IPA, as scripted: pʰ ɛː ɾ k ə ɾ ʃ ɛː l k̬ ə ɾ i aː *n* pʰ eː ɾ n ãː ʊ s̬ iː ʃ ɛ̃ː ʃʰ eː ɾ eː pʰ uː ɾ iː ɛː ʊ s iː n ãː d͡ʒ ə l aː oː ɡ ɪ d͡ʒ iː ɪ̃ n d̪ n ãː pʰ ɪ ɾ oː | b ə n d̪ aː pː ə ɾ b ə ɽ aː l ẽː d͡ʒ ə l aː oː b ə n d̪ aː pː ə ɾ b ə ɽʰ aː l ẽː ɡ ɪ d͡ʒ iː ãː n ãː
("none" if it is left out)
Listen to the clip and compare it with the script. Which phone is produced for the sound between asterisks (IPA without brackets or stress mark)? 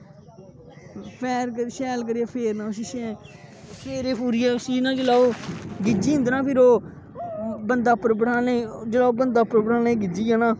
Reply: none